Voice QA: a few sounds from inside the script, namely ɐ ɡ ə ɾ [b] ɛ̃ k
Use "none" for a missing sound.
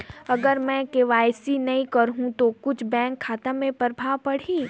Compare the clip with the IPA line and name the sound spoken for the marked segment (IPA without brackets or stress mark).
m